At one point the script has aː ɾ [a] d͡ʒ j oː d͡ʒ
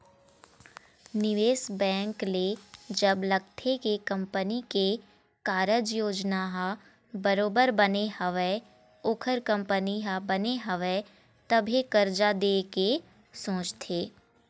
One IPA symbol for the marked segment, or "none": ə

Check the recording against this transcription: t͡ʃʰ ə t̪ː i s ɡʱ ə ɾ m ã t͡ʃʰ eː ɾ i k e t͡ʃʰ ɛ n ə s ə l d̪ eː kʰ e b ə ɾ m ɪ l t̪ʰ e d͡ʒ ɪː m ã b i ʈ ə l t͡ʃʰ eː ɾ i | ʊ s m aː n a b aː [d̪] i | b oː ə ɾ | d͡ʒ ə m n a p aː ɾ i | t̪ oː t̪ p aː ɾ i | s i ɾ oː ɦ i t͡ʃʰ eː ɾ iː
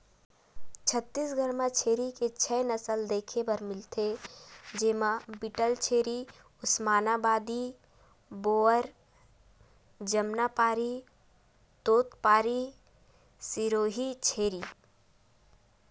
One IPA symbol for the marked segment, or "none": d̪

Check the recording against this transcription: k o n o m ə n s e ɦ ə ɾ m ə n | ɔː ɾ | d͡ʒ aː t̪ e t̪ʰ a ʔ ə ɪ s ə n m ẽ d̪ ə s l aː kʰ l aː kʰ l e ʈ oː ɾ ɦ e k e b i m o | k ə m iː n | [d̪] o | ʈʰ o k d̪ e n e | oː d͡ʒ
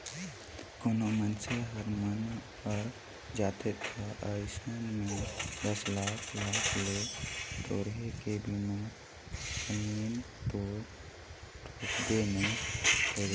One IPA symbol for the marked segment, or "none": t̪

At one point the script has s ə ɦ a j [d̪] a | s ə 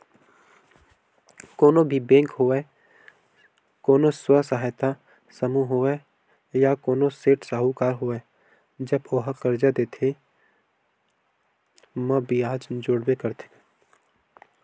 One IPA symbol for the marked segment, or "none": t̪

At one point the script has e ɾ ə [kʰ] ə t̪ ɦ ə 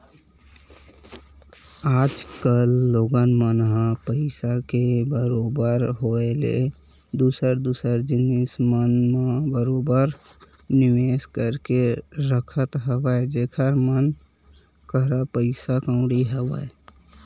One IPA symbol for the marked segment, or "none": kʰ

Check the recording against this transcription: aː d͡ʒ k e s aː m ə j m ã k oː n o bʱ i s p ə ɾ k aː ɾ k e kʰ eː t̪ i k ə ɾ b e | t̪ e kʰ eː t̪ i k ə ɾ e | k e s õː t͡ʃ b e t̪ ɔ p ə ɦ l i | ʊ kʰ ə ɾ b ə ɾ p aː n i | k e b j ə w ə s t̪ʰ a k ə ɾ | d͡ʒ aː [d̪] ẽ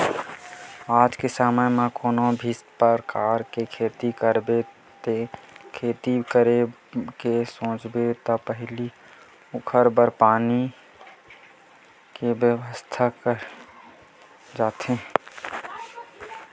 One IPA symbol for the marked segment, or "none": t̪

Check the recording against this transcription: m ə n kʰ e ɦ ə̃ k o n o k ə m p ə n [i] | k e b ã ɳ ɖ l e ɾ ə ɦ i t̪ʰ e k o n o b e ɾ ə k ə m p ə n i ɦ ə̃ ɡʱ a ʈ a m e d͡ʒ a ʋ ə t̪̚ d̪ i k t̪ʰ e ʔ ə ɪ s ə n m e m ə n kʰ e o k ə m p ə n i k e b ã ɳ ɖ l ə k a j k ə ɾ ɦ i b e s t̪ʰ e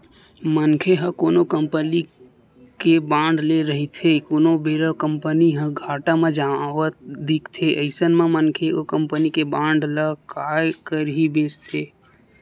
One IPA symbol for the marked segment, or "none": i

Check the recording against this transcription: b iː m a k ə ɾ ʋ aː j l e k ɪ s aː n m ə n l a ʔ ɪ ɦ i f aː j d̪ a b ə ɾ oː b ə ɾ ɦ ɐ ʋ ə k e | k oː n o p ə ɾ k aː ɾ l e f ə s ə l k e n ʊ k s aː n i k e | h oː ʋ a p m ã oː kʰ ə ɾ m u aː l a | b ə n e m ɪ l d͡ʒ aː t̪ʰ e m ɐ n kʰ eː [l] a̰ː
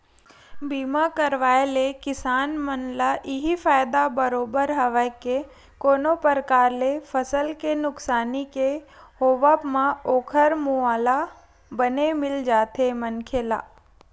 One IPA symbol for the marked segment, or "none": l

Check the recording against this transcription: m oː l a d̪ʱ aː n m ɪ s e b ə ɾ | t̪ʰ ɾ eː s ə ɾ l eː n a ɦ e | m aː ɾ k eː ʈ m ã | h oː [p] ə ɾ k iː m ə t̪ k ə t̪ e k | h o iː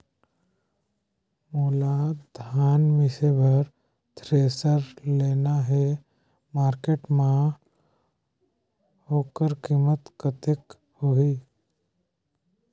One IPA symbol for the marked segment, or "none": k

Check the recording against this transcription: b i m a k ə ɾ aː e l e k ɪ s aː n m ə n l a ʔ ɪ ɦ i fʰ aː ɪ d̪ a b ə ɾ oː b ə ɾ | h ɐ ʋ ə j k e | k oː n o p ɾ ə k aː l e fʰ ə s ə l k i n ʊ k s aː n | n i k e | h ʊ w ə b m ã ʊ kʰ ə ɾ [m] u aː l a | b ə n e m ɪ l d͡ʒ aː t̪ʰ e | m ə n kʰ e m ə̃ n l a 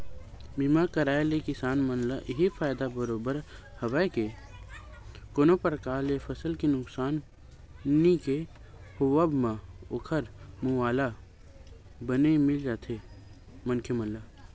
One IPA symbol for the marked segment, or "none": m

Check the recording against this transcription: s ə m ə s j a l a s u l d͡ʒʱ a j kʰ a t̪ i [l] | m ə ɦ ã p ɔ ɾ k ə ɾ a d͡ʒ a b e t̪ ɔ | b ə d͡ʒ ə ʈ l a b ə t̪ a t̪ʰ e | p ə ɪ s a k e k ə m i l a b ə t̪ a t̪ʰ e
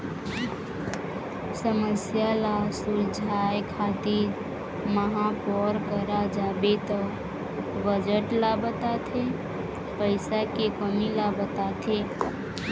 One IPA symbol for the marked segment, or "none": ɾ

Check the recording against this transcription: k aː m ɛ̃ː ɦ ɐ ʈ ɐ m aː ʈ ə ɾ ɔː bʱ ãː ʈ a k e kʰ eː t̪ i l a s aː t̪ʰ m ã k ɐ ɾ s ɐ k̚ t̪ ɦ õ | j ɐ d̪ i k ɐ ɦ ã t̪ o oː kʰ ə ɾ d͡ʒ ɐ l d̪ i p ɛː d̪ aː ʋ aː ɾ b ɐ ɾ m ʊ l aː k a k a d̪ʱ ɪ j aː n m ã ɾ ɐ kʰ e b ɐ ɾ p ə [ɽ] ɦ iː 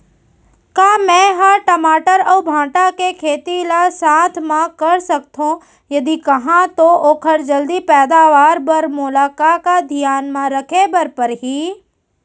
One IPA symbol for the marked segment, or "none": ɾ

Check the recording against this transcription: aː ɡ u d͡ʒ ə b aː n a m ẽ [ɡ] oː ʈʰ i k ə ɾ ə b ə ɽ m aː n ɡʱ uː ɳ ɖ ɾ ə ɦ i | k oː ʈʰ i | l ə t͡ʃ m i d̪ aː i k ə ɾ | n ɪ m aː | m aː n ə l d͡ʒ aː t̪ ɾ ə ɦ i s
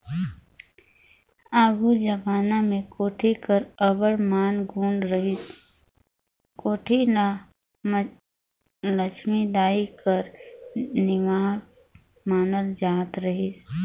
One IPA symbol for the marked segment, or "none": k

